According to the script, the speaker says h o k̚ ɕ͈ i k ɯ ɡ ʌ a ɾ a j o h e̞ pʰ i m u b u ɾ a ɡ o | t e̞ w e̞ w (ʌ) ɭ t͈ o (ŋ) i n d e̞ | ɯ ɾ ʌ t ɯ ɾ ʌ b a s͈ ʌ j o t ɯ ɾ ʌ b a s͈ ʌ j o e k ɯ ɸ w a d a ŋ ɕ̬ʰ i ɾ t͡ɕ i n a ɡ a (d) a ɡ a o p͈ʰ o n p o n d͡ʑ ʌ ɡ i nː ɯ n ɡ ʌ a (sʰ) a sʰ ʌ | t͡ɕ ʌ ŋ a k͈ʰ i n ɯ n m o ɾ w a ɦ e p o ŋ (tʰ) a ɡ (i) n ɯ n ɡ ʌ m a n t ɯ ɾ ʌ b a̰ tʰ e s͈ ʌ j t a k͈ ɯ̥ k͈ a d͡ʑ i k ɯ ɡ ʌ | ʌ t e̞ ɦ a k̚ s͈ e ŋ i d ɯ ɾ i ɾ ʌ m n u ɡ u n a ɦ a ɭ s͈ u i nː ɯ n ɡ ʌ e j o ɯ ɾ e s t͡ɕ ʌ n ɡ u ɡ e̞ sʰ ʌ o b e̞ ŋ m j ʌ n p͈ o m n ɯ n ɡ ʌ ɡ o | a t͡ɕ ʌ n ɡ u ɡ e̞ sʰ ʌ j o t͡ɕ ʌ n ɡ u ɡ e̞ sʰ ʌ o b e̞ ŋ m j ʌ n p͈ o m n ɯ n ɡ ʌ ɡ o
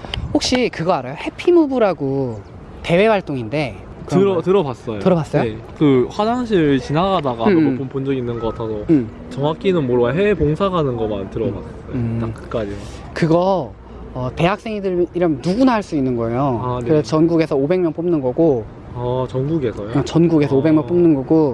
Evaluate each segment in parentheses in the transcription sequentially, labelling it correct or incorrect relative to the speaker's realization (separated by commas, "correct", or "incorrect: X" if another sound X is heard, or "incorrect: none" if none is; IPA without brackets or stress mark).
incorrect: a, correct, correct, incorrect: tʰ, incorrect: sʰ, incorrect: a